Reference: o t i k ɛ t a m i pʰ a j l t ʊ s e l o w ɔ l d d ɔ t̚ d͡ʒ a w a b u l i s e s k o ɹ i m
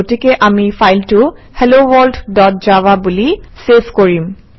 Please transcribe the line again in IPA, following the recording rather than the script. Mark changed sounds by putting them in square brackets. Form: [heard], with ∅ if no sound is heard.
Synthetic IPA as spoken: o t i k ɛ [ʔ] a m i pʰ a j l t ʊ [h] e l o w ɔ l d d ɔ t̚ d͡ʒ a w a b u l i s e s k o ɹ i m